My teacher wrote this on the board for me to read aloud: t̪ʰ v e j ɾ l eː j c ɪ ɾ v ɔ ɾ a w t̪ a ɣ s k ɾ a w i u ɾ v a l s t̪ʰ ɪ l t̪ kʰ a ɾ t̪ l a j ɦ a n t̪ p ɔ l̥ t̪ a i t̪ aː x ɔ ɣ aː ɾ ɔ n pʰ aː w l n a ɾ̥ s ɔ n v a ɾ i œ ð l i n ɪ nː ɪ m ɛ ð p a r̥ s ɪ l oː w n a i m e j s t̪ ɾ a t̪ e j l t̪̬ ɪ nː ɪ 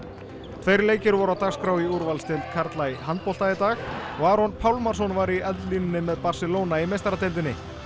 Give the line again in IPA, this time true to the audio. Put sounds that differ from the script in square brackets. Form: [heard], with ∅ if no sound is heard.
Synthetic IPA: t̪ʰ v e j ɾ l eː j c ɪ ɾ v ɔ ɾ a w t̪ a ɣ s k ɾ a w i u ɾ v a l s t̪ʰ ɪ l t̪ kʰ a ɾ t̪ l a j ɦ a n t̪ p ɔ l̥ t̪ a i t̪ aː x ɔ ɣ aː ɾ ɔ n pʰ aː w l [m] a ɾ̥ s ɔ n v a ɾ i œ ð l i n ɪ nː ɪ m ɛ ð p a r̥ s ɪ l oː w n a i m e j s t̪ ɾ a t̪ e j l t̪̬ ɪ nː ɪ